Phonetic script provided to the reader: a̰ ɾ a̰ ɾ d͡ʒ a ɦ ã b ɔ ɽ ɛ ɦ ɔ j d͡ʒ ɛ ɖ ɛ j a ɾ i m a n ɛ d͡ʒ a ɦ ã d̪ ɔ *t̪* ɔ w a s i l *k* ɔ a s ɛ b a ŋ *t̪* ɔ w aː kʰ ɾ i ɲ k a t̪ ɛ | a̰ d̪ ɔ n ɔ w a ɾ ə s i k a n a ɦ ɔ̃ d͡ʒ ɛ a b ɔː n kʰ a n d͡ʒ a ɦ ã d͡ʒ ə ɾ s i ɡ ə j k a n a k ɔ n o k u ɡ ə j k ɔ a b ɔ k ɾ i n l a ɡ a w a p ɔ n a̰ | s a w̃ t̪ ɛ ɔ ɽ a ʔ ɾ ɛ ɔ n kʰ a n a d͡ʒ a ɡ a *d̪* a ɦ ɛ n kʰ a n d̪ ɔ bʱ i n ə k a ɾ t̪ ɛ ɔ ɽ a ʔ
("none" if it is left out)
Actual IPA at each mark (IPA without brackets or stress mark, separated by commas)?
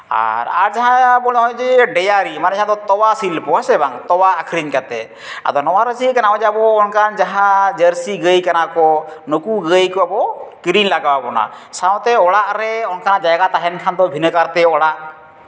t̪, p, t̪, t̪